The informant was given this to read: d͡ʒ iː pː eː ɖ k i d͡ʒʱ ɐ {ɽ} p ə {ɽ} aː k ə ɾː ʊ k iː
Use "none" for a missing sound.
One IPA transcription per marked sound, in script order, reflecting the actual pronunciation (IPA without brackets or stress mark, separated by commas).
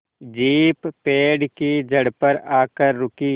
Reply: ɽ, ɾ